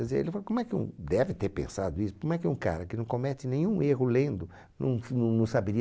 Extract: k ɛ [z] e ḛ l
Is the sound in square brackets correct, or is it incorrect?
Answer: correct